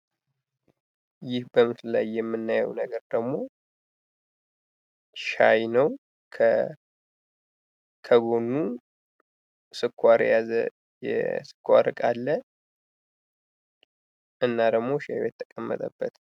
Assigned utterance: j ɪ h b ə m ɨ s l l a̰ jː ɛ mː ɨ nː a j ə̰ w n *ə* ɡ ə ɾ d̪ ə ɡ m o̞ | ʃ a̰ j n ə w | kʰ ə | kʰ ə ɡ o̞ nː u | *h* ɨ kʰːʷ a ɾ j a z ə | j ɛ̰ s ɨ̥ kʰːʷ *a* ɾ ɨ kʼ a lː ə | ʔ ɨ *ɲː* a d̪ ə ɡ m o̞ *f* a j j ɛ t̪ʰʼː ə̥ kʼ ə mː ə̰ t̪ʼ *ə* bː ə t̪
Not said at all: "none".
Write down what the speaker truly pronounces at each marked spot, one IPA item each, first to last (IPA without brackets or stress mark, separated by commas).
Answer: ə, s, a, nː, ʃ, ə